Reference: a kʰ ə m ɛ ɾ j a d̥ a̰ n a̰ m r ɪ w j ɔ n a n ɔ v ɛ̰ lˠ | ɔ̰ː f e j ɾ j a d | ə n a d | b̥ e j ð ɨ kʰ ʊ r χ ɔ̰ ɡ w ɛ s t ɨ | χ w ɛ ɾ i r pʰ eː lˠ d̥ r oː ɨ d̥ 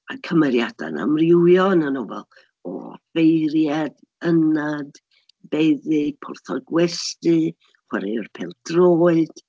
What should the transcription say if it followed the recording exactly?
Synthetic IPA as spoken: a kʰ ə m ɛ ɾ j a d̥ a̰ n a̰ m r ɪ w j ɔ n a n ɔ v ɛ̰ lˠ | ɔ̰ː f e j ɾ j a d | ə n a d | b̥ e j ð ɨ pʰ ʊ r θ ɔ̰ ɡ w ɛ s t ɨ | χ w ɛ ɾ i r pʰ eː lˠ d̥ r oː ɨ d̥